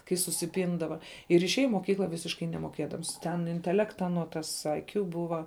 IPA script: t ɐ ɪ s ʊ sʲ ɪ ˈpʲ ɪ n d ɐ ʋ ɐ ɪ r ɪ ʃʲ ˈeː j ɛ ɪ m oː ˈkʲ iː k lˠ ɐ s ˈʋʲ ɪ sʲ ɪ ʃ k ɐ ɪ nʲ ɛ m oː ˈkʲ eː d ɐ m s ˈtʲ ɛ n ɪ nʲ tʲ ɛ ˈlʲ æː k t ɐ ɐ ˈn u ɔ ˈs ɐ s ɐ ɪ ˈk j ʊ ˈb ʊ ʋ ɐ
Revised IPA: k ɐ ɪ s ʊ sʲ ɪ ˈpʲ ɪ n d ɐ ʋ ɐ ɪ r ɪ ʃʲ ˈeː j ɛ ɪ m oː ˈkʲ iː k lˠ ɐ ˈʋʲ ɪ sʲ ɪ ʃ k ɐ ɪ nʲ ɛ m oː ˈkʲ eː d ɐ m s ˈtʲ ɛ n ɪ nʲ tʲ ɛ ˈlʲ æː k t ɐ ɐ ˈn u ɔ ˈt ɐ s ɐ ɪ ˈk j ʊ ˈb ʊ ʋ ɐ